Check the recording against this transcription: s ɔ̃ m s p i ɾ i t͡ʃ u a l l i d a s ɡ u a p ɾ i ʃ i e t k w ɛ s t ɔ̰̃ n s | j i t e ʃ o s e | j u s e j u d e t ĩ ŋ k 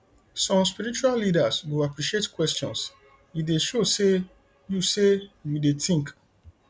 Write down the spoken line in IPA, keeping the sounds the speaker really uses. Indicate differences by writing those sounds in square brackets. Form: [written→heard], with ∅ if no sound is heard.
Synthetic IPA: s ɔ̃ m s p i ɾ i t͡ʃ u a l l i d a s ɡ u a p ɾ i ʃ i e t k w ɛ s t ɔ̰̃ n s | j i [t→d] e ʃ o s e | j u s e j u d e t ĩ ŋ k